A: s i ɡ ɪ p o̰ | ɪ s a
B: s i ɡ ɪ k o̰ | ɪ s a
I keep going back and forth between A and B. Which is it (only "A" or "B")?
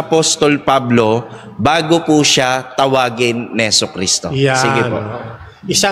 A